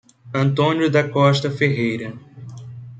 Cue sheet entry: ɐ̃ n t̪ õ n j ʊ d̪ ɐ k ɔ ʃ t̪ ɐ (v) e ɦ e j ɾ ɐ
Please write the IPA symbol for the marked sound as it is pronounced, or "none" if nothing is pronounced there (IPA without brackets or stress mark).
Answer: f